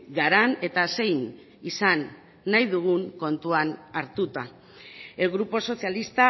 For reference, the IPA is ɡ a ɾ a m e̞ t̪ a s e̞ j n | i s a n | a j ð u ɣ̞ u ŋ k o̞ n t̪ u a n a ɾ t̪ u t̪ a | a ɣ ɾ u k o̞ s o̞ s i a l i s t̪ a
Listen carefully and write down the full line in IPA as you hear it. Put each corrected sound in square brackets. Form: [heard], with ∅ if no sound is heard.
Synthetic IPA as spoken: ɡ a ɾ a [n] e̞ t̪ a s e̞ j n | i s a [nː] | a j ð u ɣ̞ u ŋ k o̞ n t̪ u a n a ɾ t̪ u t̪ a | [e] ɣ ɾ u [p] o̞ s o̞ s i a l i s t̪ a